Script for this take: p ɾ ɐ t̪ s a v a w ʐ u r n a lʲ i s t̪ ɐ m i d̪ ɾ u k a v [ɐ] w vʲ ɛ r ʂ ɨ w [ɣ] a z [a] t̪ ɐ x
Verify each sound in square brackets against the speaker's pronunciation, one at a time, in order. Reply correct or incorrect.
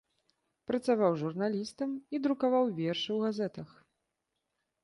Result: incorrect, correct, incorrect

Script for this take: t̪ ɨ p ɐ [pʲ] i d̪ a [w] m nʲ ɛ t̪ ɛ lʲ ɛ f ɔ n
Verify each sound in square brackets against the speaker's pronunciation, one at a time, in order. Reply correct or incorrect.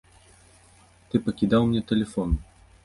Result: incorrect, correct

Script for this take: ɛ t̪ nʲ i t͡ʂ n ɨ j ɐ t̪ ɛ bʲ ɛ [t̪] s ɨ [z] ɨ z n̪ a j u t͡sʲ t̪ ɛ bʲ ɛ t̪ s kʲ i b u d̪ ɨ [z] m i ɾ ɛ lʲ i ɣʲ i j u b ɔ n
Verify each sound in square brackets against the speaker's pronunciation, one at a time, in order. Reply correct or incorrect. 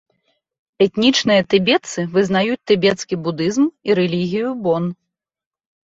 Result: correct, incorrect, correct

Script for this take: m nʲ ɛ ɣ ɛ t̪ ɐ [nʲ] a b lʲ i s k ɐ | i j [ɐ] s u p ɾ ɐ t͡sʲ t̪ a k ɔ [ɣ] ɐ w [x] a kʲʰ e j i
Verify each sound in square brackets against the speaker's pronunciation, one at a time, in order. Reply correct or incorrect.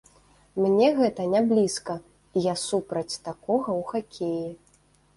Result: correct, incorrect, correct, correct

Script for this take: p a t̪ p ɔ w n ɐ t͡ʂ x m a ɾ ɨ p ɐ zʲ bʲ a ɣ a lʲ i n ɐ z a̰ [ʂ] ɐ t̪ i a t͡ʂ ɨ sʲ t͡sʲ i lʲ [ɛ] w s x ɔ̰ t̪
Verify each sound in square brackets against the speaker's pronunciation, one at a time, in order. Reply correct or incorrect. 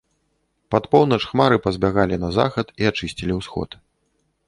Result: incorrect, incorrect

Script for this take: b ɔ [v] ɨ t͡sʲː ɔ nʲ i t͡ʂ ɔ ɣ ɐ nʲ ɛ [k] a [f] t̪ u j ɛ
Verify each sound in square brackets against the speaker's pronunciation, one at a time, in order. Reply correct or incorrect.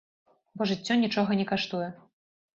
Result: incorrect, correct, incorrect

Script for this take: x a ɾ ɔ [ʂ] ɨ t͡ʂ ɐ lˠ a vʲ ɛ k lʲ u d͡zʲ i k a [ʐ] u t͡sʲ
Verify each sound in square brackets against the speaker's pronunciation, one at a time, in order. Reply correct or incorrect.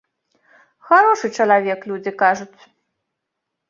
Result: correct, correct

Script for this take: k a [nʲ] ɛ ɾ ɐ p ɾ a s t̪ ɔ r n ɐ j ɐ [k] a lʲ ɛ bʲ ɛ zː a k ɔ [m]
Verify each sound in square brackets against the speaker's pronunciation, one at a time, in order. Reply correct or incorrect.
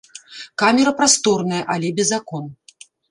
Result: incorrect, incorrect, incorrect

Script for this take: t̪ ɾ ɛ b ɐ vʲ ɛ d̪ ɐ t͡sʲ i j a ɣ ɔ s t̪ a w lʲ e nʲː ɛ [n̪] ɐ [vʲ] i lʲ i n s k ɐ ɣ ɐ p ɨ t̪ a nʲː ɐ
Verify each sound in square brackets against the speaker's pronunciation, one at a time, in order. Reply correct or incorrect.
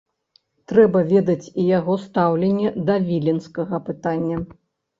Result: incorrect, correct

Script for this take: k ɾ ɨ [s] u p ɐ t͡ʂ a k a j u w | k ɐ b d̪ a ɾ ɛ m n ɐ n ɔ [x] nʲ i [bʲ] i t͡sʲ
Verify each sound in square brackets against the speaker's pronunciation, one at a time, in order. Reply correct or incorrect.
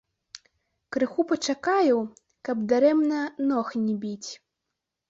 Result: incorrect, correct, correct

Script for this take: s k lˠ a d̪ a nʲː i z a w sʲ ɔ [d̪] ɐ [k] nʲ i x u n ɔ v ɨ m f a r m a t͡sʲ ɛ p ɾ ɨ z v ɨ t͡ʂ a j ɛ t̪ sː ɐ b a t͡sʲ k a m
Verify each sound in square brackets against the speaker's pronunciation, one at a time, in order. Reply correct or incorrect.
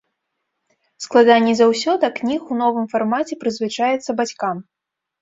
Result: correct, correct

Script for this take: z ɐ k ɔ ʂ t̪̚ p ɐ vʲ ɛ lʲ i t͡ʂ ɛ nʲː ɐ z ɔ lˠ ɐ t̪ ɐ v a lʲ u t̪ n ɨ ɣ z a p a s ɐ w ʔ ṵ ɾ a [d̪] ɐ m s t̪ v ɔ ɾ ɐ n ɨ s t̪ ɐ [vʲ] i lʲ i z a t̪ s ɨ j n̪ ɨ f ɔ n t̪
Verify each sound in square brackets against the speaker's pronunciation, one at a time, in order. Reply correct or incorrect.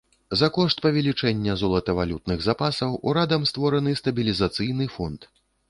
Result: correct, incorrect

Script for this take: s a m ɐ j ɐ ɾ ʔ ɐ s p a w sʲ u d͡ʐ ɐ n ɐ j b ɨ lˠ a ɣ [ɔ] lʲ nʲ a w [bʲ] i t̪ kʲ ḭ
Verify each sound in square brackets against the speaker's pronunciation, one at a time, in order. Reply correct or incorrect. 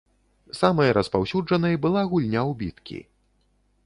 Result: incorrect, correct

